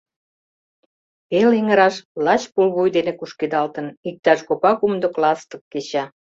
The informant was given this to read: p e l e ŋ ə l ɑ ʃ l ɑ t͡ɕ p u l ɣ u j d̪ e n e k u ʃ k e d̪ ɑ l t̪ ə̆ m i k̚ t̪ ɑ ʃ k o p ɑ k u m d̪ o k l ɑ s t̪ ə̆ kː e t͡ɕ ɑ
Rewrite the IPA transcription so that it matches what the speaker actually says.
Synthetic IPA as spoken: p e l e ŋ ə ɾ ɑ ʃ l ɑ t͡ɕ p u l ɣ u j d̪ e n e k u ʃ k e d̪ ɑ l t̪ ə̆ n i k̚ t̪ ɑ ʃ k o p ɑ k u m d̪ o k l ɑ s t̪ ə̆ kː e t͡ɕ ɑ